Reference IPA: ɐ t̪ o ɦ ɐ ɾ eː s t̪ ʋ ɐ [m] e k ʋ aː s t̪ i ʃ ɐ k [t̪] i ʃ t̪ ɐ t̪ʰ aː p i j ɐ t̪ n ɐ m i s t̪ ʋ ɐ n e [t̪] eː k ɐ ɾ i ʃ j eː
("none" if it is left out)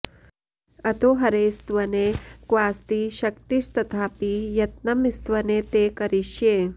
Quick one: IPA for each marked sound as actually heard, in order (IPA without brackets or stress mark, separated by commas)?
n, t̪, t̪